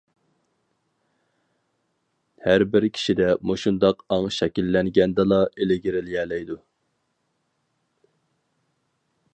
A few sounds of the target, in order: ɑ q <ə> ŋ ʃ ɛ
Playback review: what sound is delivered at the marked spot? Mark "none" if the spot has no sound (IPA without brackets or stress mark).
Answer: ɑ